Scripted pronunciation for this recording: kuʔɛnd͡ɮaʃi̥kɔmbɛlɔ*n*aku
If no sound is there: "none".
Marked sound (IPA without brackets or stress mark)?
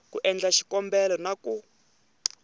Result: n